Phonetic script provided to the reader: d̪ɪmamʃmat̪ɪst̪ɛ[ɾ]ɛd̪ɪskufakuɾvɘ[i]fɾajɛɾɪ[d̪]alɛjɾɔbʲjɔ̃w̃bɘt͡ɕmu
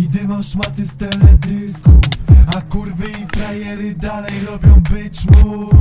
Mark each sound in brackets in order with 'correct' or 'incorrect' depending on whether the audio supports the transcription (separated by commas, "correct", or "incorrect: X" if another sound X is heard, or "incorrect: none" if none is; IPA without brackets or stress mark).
incorrect: l, correct, correct